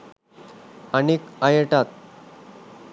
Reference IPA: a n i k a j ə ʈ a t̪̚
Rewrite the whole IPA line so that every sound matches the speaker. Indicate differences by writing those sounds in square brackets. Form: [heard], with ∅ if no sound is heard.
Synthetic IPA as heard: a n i k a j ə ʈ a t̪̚